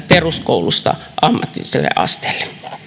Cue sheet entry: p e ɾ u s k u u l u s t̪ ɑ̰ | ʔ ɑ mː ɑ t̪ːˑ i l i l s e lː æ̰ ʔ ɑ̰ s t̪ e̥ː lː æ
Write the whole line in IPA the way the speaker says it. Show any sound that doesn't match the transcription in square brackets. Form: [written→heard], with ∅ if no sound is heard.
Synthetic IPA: p e [ɾ→r] u s k [u→o] u l u s t̪ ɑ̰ | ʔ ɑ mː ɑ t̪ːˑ i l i [l→∅] s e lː [æ̰→ḛ] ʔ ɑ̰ s t̪ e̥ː lː [æ→e]